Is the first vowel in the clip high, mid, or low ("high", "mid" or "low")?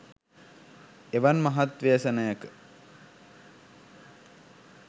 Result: mid